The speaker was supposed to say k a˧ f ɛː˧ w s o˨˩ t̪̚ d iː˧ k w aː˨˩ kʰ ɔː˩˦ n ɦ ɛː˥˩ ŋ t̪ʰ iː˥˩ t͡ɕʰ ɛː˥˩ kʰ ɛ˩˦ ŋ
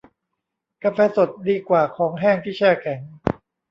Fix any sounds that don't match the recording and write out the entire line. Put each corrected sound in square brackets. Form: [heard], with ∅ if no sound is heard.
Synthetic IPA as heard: k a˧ f ɛː˧ [∅] s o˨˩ t̪̚ d iː˧ k w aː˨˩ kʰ ɔː˩˦ [ŋ] ɦ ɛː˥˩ ŋ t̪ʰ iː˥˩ t͡ɕʰ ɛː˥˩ kʰ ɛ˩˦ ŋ